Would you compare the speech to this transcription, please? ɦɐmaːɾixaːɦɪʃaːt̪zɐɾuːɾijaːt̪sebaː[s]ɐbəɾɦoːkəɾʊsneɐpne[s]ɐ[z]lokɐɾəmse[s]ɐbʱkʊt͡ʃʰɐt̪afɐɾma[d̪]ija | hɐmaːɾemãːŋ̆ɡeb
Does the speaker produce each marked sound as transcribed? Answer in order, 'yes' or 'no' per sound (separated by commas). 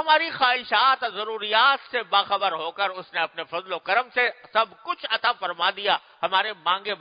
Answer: no, no, yes, yes, yes